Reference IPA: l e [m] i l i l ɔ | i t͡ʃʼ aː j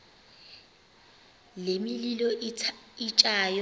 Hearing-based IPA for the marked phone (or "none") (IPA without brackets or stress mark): m